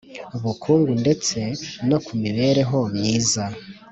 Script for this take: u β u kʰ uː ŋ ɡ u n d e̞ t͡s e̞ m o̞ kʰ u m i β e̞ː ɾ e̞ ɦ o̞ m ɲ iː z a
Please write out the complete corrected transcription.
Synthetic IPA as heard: u β u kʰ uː ŋ ɡ u n d e̞ t͡s e̞ n o̞ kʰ u m i β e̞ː ɾ e̞ ɦ o̞ m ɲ iː z a